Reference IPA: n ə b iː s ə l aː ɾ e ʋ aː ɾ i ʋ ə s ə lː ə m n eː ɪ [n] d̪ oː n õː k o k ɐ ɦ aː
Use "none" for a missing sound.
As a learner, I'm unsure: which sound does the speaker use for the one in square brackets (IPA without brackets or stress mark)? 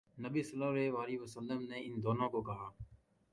n